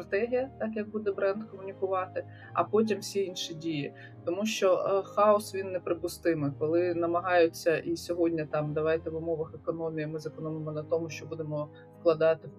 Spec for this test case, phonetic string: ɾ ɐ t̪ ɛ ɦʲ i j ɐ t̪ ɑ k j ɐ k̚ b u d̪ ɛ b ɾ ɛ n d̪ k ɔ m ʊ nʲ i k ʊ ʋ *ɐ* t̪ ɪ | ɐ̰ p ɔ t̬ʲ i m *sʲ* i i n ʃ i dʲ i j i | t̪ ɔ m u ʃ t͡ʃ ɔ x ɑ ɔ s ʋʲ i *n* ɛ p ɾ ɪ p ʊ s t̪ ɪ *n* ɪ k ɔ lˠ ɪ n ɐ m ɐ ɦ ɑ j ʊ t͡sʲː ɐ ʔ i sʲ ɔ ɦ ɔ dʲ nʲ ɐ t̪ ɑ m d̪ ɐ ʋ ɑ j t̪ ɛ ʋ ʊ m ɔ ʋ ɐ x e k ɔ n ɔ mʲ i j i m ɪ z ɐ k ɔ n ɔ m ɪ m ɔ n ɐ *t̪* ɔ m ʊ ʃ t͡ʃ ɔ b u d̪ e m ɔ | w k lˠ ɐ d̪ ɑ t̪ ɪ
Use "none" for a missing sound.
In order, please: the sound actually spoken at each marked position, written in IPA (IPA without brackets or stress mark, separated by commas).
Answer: ɑ, sʲ, nː, m, t̪